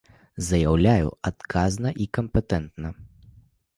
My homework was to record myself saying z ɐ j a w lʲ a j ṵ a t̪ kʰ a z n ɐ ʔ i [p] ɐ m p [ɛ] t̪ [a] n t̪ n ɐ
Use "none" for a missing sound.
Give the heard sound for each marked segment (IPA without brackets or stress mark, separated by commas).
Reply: k, ɛ, ɛ